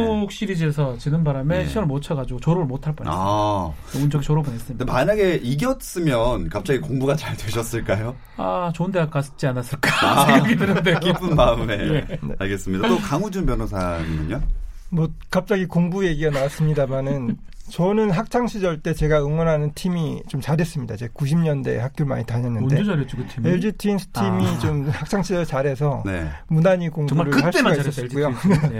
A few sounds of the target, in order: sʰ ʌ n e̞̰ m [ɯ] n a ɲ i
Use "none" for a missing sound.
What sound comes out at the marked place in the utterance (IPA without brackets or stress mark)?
u